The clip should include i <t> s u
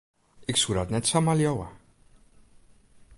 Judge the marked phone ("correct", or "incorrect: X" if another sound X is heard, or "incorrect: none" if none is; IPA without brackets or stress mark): incorrect: k